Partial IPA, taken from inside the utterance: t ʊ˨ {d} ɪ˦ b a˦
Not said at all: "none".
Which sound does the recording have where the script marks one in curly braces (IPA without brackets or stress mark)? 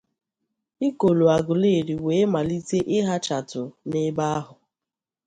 n